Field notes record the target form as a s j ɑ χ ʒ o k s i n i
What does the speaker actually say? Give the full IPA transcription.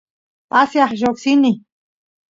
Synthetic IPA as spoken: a s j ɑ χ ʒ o k s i n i